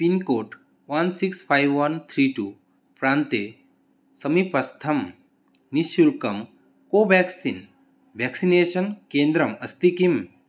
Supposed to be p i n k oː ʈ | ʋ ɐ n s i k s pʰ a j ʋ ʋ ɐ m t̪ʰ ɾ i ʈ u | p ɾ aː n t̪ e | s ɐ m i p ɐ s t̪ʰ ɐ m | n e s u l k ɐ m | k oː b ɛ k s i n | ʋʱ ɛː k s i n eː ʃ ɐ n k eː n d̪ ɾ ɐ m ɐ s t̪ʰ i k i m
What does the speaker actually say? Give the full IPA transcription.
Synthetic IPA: p i n k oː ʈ | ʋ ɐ n s i k s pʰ a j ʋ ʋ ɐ n t̪ʰ ɾ i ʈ u | p ɾ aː n t̪ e | s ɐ m i p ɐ s t̪ʰ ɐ m | n i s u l k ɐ m | k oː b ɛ k s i n | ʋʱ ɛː k s i n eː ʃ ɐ n k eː n d̪ ɾ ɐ m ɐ s t̪ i k i m